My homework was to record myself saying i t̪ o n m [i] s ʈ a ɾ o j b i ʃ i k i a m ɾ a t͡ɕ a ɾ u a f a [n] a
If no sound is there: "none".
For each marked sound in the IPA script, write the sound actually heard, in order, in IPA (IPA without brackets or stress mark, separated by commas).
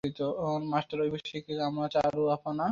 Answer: a, n